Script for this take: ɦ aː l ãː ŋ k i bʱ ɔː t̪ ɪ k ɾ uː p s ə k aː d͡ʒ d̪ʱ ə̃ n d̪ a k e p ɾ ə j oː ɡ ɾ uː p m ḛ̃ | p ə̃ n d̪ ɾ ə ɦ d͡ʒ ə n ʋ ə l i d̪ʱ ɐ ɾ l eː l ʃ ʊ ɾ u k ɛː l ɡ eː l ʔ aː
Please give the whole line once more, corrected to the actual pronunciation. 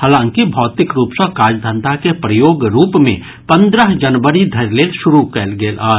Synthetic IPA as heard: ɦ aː l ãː ŋ k i bʱ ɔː t̪ ɪ k ɾ uː p s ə k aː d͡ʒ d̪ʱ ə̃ n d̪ a k e p ɾ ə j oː ɡ ɾ uː p m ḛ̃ | p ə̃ n d̪ ɾ ə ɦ d͡ʒ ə n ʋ ə ɾ i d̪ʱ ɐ ɾ l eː l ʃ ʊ ɾ u k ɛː l ɡ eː l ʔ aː